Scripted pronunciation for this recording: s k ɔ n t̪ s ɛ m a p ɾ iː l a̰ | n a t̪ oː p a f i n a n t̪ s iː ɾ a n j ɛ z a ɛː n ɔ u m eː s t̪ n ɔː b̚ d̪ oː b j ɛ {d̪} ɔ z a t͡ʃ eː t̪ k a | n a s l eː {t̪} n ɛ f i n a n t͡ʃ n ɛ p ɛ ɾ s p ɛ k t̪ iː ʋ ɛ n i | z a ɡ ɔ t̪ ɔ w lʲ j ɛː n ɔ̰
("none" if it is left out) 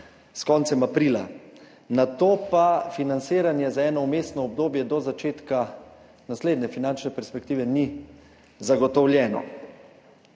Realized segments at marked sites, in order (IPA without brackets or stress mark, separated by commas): d̪, d̪